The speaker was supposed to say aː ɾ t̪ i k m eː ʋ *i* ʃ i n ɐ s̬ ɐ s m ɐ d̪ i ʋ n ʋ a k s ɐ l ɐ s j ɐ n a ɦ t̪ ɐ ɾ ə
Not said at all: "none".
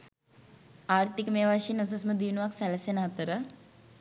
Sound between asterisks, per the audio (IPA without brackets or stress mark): a